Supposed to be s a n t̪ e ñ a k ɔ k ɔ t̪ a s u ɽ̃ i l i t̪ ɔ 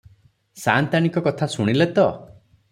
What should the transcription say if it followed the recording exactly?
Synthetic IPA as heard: s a n t̪ a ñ i k ɔ k ɔ t̪ʰ a s u ɽ̃ i l e t̪ ɔ